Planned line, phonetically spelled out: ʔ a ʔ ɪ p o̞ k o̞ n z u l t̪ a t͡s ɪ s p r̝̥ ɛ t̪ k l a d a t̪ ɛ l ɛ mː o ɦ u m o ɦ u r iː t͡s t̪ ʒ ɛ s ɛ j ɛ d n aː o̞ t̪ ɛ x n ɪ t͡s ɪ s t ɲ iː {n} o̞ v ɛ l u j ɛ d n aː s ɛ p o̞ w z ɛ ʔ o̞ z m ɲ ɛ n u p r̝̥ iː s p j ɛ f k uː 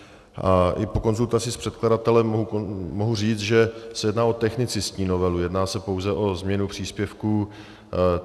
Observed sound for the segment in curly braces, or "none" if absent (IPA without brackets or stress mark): n